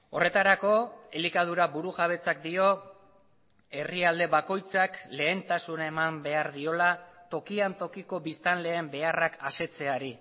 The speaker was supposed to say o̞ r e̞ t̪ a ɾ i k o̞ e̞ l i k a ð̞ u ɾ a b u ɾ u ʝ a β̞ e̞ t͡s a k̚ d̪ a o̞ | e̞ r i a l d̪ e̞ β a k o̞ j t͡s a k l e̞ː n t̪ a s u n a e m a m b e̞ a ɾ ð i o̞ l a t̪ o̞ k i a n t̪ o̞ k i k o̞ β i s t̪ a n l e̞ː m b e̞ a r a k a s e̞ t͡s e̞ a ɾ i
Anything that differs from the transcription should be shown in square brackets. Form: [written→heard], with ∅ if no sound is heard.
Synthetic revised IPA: o̞ r e̞ t̪ a ɾ [i→a] k o̞ e̞ l i k a ð̞ u ɾ a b u ɾ u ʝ a β̞ e̞ t͡s a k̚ d̪ [a→i] o̞ | e̞ r i a l d̪ e̞ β a k o̞ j t͡s a k l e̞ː n t̪ a s u n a e m a m b e̞ a ɾ ð i o̞ l a t̪ o̞ k i a n t̪ o̞ k i k o̞ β i s t̪ a n l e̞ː m b e̞ a r a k a s e̞ t͡s e̞ a ɾ i